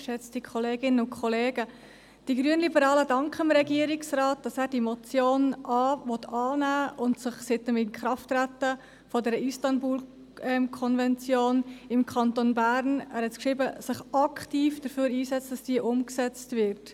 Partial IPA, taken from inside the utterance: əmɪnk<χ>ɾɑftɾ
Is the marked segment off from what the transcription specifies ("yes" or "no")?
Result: no